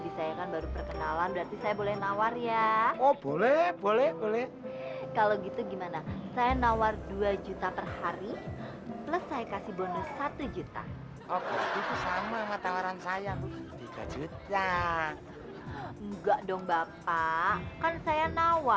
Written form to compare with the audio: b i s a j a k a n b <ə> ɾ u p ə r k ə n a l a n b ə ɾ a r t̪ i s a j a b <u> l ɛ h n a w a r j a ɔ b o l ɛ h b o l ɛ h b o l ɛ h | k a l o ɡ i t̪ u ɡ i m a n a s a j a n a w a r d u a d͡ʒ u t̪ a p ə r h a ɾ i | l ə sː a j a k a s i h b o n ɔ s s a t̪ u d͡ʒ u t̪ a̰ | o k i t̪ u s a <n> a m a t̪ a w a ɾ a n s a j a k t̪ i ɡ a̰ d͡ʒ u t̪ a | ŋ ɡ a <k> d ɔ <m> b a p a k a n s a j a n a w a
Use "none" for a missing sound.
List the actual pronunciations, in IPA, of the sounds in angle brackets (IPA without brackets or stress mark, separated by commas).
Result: a, o, m, ʔ, ŋ